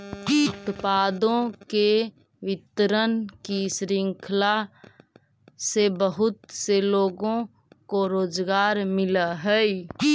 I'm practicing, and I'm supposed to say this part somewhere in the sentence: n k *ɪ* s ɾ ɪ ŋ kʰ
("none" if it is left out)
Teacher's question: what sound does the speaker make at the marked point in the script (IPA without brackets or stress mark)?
i